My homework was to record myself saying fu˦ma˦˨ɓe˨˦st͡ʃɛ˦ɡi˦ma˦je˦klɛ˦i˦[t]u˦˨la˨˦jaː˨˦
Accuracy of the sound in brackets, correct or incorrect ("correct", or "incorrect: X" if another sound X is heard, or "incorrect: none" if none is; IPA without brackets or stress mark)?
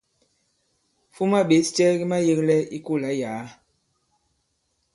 incorrect: k